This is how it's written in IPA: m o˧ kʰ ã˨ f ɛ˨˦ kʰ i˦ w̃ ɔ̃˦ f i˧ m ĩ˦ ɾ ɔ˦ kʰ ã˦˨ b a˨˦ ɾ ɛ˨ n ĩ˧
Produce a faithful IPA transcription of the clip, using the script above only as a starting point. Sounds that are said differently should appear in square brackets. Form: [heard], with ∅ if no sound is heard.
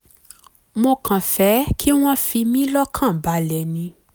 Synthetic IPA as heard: m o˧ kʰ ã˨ f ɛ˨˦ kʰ i˦ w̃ ɔ̃˦ f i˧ m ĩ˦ [l] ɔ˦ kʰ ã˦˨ b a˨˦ [l] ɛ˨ n ĩ˧